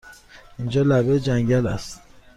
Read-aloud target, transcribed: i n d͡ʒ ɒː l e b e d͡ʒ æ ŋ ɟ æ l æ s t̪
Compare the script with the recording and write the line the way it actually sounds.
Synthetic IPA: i n d͡ʒ ɒː l æ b e d͡ʒ æ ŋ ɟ æ l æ s t̪